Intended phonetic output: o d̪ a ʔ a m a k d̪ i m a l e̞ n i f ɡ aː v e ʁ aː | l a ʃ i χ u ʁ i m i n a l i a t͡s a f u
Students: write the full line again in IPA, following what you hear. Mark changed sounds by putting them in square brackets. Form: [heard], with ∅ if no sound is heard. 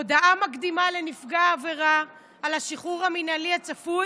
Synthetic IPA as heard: o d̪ a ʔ a m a k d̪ i m a l e̞ n i f ɡ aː v e ʁ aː | l a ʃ i χ u ʁ [a] m i n a l i a t͡s a f u